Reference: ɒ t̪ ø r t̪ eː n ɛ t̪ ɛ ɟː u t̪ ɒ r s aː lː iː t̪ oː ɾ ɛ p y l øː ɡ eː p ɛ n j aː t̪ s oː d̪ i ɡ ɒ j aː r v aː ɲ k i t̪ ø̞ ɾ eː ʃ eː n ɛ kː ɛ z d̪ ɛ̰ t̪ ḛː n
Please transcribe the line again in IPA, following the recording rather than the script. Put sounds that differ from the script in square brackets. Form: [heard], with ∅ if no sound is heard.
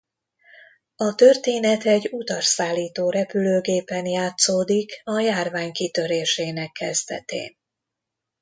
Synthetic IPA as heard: ɒ t̪ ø r t̪ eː n ɛ t̪ ɛ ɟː u t̪ ɒ r s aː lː iː t̪ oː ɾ ɛ p y l øː ɡ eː p ɛ n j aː t̪ s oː d̪ i [k] ɒ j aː r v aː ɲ k i t̪ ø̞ ɾ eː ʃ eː n ɛ kː ɛ z d̪ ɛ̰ t̪ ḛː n